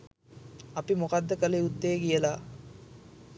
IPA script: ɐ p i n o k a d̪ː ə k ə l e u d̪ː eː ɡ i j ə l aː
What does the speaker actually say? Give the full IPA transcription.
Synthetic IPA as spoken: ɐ p i m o k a d̪ː ə k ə l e u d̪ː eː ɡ i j ə l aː